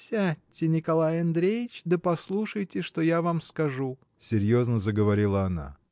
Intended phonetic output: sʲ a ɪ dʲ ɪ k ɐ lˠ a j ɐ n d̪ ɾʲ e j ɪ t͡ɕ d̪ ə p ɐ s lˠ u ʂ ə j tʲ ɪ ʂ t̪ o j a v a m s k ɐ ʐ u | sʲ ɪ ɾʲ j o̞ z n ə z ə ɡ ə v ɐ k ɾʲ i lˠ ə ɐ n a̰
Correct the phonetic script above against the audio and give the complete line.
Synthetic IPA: sʲ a ɪ nʲ ɪ k ɐ lˠ a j ɐ n d̪ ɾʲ e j ɪ t͡ɕ d̪ ə p ɐ s lˠ u ʂ ə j tʲ ɪ ʂ t̪ o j a v a m s k ɐ ʐ u | sʲ ɪ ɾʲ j o̞ z n ə z ə ɡ ə v ɐ ɾʲ i lˠ ə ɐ n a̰